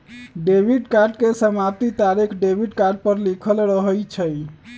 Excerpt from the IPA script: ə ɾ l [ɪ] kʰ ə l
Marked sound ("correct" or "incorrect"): incorrect